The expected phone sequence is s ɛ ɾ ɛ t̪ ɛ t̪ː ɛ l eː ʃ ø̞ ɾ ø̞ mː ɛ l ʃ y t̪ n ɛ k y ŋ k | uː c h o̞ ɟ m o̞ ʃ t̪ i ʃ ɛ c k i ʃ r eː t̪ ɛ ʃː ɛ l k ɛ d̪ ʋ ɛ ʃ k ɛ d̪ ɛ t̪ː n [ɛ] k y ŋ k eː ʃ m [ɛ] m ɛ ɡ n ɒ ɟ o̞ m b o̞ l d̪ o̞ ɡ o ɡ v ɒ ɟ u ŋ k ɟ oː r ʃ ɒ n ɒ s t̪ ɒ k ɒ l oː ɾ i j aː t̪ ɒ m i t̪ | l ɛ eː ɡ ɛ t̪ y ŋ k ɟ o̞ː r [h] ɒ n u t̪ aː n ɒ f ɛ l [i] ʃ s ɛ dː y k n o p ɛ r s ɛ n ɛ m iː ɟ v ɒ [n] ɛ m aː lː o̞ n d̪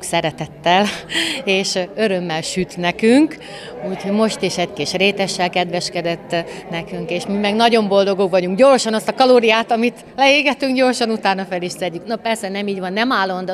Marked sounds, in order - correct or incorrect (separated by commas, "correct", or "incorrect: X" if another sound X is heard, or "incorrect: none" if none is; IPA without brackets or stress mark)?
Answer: correct, incorrect: i, incorrect: ʃ, correct, incorrect: nː